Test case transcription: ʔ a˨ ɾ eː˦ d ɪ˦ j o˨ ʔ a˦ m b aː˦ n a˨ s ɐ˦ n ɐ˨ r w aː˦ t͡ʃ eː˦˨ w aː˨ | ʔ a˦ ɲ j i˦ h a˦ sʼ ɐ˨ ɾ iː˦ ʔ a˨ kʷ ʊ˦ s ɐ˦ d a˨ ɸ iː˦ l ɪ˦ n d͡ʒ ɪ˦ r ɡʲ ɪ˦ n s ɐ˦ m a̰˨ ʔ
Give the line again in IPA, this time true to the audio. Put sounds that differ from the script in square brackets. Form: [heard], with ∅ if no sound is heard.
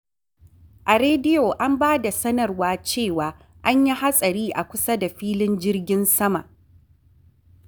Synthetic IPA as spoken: ʔ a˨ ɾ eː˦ d ɪ˦ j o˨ ʔ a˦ m b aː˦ [d] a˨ s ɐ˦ n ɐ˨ r w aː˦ t͡ʃ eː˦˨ w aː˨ | ʔ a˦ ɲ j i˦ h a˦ sʼ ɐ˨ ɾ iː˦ ʔ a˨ kʷ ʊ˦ s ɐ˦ d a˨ ɸ iː˦ l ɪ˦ n d͡ʒ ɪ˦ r ɡʲ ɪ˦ n s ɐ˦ m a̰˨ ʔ

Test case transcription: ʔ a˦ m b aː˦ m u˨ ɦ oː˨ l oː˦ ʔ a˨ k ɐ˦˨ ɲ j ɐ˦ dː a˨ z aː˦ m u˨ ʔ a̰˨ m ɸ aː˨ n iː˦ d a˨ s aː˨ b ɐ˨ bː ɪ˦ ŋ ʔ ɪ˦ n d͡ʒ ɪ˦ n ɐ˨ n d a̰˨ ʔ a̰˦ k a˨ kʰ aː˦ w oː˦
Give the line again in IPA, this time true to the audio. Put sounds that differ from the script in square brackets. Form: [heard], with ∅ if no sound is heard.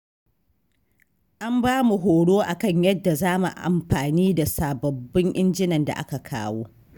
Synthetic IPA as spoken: ʔ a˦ m b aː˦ m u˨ ɦ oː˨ [ɽ] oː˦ ʔ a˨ k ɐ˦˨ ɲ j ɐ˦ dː a˨ z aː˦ m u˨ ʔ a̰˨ m ɸ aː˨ n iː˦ d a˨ s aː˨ b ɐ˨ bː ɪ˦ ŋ ʔ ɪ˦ n d͡ʒ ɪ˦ n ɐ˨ n d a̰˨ ʔ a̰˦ k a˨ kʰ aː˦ w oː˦

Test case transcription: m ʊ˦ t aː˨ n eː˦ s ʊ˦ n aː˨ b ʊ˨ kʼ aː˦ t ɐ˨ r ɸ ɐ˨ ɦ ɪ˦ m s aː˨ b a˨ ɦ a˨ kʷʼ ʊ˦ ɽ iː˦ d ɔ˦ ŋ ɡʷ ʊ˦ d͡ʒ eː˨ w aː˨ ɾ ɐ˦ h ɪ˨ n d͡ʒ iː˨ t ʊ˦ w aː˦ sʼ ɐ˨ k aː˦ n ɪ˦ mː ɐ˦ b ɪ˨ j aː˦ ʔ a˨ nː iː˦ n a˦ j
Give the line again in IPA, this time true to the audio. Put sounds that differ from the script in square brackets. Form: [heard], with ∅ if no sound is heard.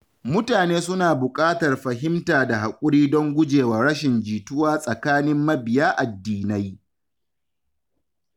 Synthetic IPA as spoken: m ʊ˦ t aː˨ n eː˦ s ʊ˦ n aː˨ b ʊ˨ kʼ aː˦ t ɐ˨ r ɸ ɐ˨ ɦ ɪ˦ m [t] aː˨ [d] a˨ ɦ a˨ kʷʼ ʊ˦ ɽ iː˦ d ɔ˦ ŋ ɡʷ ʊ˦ d͡ʒ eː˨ w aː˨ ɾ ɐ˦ [ʃ] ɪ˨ n d͡ʒ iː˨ t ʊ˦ w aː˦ sʼ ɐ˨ k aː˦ n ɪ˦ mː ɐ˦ b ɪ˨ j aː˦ ʔ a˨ [dː] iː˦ n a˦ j

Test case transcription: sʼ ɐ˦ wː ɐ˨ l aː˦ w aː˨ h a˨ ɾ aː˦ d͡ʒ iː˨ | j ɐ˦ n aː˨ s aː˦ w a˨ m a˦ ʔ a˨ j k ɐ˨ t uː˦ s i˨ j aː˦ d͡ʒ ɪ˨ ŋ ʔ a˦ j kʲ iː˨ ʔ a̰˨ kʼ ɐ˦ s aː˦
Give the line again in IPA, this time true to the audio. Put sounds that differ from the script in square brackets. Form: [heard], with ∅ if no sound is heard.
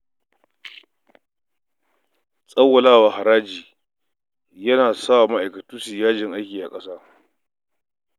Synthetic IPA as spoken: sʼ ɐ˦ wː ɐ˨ l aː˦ w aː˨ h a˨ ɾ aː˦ d͡ʒ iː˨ | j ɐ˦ n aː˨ s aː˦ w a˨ m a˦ ʔ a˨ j k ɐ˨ t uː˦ s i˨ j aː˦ d͡ʒ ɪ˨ ŋ ʔ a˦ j kʲ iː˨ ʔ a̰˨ kʼ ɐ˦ s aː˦

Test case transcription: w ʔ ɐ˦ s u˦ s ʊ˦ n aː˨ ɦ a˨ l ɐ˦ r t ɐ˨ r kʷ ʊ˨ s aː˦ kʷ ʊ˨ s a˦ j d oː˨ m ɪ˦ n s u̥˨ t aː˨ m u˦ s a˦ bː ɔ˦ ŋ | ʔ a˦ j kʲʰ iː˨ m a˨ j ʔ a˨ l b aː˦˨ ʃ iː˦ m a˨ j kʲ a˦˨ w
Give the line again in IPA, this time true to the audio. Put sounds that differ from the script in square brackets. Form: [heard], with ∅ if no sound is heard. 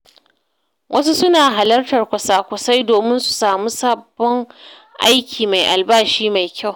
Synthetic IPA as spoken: w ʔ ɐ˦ s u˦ s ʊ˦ n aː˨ ɦ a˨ l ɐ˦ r t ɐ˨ r kʷ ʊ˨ s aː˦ kʷ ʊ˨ s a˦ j d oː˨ m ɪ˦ n s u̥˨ [s] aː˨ m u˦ s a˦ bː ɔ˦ ŋ | ʔ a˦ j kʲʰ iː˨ m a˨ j ʔ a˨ l b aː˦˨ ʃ iː˦ m a˨ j kʲ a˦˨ w

